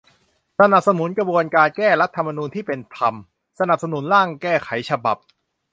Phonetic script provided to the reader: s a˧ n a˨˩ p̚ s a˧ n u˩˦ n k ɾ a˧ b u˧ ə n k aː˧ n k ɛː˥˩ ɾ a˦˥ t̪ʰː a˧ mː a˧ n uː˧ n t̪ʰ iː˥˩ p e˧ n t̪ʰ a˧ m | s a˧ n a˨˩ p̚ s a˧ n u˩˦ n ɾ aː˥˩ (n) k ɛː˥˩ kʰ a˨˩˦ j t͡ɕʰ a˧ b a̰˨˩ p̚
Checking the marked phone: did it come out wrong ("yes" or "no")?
yes